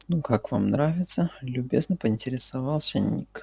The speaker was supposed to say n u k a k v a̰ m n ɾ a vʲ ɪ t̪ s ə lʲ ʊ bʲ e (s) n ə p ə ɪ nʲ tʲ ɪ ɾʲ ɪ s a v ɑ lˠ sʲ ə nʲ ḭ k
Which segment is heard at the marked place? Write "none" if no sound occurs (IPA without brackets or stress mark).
z